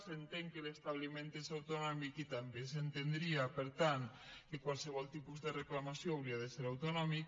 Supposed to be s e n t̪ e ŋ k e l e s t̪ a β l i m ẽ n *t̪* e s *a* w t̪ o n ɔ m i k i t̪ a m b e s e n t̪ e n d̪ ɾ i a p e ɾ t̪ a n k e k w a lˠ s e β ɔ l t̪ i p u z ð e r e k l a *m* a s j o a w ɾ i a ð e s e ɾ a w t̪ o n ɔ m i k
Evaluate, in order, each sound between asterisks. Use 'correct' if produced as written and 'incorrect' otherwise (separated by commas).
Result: correct, correct, correct